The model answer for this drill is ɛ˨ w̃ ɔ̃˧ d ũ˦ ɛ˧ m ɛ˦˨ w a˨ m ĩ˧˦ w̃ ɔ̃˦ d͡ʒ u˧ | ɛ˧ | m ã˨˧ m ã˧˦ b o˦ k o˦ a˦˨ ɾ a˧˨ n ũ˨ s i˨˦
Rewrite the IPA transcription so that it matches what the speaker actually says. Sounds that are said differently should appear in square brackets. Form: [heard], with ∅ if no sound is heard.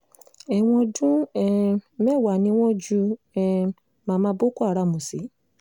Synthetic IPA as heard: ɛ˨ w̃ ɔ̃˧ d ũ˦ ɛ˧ m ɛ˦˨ w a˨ [n] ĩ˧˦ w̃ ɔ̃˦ d͡ʒ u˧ | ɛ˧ | m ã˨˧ m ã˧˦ b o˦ k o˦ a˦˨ ɾ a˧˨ [m] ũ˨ s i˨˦

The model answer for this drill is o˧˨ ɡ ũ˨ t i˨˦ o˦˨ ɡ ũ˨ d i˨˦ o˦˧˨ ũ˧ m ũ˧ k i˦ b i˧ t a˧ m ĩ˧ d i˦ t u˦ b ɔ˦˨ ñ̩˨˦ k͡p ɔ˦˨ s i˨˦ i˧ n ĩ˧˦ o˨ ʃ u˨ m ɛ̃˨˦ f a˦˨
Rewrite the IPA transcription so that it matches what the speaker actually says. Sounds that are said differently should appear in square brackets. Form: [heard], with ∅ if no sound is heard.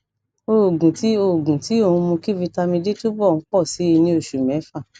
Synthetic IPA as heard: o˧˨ ɡ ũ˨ t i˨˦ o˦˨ ɡ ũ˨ [t] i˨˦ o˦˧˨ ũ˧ m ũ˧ k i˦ [v] i˧ t a˧ m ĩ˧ d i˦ t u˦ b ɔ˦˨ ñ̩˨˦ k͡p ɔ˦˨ s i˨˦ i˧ n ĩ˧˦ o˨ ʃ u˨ m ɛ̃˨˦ f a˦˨

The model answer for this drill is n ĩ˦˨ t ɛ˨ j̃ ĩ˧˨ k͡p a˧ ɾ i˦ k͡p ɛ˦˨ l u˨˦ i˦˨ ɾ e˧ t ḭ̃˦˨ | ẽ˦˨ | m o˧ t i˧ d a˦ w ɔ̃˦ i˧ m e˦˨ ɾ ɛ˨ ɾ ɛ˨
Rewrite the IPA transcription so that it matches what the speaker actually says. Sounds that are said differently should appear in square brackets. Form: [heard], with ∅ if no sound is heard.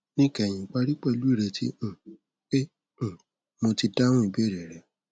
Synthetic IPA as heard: n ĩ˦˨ [k] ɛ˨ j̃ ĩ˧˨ k͡p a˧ ɾ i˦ k͡p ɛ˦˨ l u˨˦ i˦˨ ɾ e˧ t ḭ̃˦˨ | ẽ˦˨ | m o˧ t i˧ d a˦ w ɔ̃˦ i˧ [b] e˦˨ ɾ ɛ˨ ɾ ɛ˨

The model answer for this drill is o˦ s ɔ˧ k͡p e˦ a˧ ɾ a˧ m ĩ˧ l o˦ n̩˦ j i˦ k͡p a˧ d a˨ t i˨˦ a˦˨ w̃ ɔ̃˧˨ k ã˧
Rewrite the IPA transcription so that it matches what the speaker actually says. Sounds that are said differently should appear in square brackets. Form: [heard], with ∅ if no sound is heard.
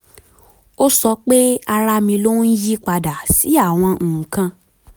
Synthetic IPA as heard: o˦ s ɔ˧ k͡p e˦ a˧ ɾ a˧ m ĩ˧ l o˦ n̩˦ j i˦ k͡p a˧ d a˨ [s] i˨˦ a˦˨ w̃ ɔ̃˧˨ k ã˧

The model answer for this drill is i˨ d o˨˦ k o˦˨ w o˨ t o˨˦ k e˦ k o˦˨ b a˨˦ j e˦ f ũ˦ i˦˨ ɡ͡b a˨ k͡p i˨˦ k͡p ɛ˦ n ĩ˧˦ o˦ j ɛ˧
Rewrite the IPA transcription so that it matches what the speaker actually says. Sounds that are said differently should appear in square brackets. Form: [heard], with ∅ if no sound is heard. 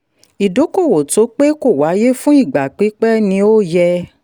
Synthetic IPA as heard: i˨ d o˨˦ k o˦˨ w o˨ t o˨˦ [k͡p] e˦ k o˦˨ [w] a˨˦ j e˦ f ũ˦ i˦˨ ɡ͡b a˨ k͡p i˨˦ k͡p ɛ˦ n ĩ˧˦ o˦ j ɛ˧

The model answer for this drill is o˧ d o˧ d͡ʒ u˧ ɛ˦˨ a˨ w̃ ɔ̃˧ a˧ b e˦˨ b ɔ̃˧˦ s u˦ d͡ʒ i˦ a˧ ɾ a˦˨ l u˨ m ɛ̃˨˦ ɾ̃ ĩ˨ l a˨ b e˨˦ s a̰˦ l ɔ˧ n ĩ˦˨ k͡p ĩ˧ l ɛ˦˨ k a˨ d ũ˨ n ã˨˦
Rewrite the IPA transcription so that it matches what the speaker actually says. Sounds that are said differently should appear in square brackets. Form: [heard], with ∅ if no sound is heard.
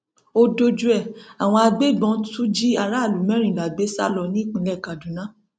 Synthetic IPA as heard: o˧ d o˧ d͡ʒ u˧ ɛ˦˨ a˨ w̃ ɔ̃˧ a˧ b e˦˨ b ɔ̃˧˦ [t] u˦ d͡ʒ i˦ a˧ ɾ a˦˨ l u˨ m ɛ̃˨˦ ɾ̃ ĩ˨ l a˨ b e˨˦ s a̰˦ l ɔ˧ n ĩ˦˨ k͡p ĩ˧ l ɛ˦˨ k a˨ d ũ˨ n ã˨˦

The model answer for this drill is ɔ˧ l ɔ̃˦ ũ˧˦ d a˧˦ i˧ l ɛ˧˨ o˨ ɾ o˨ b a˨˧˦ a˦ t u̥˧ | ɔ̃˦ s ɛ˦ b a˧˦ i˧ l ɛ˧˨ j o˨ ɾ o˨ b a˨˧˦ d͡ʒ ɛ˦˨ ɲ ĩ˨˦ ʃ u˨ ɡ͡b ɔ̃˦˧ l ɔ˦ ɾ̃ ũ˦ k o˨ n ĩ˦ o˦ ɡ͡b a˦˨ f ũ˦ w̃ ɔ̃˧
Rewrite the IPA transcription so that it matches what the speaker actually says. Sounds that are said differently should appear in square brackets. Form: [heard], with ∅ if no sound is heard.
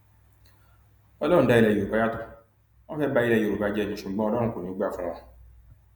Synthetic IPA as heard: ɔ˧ l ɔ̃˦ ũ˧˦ d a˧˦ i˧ l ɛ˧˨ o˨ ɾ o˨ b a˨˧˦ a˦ t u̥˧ | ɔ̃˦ [f] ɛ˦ b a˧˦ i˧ l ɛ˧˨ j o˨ ɾ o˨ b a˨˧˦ d͡ʒ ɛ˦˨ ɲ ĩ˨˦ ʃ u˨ ɡ͡b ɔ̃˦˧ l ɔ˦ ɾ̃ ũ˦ k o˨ n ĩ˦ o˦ ɡ͡b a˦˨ f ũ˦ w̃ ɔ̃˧

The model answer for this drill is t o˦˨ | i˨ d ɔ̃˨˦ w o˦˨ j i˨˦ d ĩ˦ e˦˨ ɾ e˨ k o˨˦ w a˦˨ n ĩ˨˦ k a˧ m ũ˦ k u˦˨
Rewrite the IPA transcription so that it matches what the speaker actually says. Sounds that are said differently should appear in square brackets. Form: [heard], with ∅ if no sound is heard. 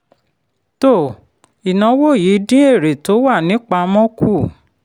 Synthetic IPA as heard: t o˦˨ | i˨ [n] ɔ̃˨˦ w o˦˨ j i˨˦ d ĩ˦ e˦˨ ɾ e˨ [t] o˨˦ w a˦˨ n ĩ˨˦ [k͡p] a˧ m [ɔ̃˦] k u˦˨

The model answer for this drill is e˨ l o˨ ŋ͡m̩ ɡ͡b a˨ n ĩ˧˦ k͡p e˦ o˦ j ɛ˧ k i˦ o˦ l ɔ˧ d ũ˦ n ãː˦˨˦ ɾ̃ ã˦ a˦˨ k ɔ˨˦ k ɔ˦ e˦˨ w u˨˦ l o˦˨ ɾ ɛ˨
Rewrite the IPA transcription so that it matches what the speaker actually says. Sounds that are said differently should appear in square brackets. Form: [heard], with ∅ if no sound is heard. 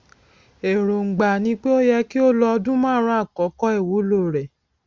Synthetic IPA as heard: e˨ [ɾ] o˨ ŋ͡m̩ ɡ͡b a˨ n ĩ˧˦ k͡p e˦ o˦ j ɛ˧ k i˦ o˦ l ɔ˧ d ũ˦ [m] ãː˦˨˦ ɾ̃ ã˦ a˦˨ k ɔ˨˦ k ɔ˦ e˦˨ w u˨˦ l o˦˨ ɾ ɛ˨

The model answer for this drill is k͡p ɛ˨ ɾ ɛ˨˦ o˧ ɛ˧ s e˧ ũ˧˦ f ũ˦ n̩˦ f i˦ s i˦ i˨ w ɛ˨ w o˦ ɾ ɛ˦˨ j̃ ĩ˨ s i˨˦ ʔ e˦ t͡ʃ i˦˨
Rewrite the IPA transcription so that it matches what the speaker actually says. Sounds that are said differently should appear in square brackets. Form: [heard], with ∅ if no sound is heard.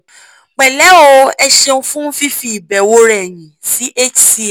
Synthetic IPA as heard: k͡p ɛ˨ [l] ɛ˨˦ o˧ ɛ˧ [ʃ] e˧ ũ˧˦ f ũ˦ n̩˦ f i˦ [f] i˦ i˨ [b] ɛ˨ w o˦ ɾ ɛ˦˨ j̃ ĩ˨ s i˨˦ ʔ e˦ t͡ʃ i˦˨

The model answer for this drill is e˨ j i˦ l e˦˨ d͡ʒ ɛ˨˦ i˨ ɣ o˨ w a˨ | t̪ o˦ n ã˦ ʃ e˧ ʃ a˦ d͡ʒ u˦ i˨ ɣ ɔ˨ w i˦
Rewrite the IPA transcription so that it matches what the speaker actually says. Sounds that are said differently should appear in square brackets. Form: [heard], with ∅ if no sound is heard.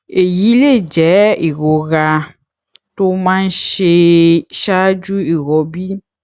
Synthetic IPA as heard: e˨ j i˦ l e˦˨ d͡ʒ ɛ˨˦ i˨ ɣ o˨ [ɣ] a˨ | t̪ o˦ [m] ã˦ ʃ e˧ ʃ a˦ d͡ʒ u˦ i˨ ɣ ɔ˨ [b] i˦

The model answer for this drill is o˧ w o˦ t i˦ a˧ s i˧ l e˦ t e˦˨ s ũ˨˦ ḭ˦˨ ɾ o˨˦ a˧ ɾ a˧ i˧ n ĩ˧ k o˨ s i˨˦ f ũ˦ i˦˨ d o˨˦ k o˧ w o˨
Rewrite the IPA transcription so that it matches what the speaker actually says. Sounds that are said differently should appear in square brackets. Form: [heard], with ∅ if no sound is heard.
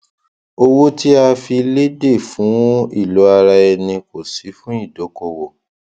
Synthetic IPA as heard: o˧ w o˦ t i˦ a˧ [f] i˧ l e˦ [d] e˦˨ [f] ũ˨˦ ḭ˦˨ [l] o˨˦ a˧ ɾ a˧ [ɛ˧] n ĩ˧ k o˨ s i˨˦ f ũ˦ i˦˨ d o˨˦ k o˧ w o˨

